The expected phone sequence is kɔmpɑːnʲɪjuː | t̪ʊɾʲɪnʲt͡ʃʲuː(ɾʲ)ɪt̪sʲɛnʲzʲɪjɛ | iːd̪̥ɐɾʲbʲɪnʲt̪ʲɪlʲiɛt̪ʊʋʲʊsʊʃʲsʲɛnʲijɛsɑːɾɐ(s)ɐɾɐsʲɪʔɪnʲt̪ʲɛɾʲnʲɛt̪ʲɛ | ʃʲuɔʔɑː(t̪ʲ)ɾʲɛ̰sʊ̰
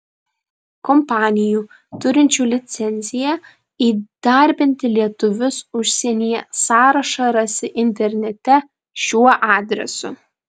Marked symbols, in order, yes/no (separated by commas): no, no, no